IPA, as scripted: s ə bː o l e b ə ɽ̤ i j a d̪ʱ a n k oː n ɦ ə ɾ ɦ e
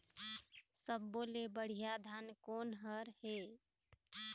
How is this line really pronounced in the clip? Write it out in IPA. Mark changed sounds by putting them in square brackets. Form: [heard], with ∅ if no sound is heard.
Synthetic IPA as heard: s ə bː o l e b ə ɽ̤ i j a d̪ʱ a n k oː n ɦ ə ɾ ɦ e